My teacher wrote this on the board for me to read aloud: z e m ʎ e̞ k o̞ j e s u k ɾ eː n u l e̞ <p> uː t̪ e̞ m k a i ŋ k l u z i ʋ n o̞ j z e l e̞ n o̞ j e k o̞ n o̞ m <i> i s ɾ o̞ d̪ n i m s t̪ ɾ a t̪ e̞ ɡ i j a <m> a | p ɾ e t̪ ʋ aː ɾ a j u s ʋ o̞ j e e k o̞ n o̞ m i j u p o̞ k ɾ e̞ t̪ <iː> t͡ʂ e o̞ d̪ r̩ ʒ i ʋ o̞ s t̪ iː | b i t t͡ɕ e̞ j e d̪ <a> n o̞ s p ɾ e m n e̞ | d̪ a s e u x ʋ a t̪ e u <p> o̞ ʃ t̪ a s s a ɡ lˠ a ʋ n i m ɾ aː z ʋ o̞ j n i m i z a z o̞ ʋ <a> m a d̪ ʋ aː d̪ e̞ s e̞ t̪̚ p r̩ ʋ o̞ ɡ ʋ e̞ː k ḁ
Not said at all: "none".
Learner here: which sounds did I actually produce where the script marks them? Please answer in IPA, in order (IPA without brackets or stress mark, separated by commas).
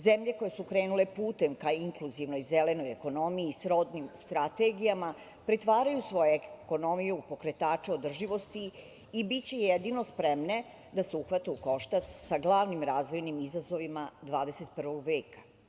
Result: p, i, m, aː, i, k, i